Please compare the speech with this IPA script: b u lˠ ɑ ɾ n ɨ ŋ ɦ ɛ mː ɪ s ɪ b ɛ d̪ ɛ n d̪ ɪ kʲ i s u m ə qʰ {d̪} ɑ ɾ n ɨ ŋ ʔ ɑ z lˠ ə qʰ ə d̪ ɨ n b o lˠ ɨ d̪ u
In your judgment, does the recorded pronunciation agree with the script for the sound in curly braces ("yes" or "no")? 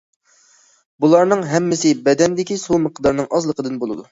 yes